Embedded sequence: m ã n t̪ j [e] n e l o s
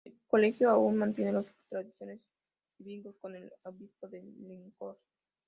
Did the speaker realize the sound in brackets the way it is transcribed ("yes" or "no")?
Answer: yes